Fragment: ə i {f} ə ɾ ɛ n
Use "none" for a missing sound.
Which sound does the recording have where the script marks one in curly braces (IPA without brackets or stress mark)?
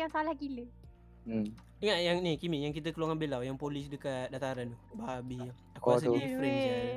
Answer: f